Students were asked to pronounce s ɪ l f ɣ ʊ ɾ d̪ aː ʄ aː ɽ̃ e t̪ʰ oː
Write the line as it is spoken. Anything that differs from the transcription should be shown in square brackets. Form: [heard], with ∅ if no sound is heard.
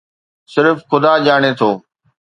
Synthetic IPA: s ɪ [ɾ] f [x] ʊ [∅] d̪ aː ʄ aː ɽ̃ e t̪ʰ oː